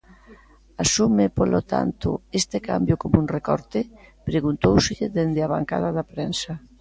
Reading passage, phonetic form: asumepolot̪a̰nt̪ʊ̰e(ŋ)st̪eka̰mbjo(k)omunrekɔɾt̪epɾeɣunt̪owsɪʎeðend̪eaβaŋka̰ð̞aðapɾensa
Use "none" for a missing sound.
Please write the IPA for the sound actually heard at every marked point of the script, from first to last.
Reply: none, k

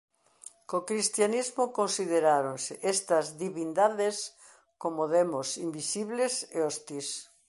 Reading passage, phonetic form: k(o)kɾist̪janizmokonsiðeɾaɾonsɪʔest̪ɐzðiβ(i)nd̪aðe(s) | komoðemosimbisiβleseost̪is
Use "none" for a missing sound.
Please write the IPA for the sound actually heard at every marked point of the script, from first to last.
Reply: o, i, s

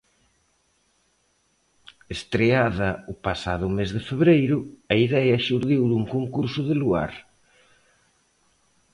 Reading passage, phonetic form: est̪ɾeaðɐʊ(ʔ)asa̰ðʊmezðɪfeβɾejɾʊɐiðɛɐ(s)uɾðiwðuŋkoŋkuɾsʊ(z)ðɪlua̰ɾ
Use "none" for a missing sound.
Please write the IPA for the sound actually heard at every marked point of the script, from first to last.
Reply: p, ʃ, none

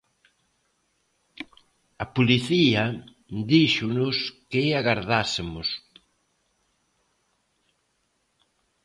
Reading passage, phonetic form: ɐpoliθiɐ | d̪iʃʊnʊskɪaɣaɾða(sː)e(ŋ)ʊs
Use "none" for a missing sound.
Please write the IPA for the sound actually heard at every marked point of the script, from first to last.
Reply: s, m

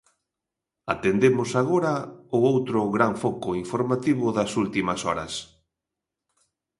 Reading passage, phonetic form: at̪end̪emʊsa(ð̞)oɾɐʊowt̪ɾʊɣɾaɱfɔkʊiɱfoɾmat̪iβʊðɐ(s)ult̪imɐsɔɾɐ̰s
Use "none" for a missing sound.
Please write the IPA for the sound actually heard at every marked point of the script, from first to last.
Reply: ɣ̞, s

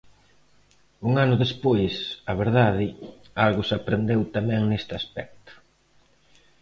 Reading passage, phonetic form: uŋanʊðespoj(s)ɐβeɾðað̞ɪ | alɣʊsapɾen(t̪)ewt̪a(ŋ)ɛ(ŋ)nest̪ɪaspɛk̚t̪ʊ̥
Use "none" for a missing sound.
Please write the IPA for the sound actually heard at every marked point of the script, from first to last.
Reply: s, d̪, m, ŋ

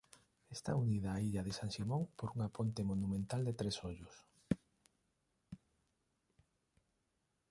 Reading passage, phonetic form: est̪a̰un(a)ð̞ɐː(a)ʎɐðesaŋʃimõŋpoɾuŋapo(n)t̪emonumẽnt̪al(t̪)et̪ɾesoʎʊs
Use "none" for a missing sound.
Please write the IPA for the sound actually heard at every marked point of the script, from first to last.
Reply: i, i, n, d̪

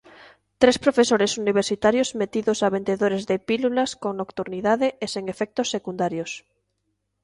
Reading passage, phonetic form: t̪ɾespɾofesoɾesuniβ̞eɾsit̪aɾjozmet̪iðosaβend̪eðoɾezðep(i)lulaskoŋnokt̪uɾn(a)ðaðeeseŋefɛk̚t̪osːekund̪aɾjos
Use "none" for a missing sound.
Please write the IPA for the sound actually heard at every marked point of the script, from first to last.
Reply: i, i

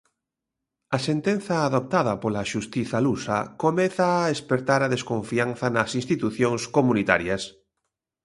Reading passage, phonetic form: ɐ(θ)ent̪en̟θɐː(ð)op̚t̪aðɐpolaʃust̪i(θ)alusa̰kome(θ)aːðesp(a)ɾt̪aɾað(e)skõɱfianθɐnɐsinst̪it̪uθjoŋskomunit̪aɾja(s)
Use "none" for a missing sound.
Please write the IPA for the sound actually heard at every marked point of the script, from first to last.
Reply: s, ð, θ, θ, e, e, s

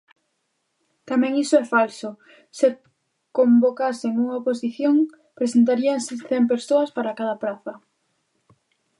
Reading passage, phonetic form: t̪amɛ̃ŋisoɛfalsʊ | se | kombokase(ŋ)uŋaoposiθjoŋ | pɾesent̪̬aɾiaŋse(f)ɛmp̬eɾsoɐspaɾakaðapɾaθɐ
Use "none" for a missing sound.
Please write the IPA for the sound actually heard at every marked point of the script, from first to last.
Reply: ŋ, θ

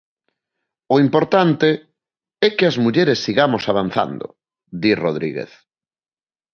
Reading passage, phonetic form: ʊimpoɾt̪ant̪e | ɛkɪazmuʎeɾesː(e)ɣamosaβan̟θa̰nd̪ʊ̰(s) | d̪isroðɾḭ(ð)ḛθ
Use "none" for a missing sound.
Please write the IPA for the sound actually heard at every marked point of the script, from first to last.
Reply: i, none, ɣ

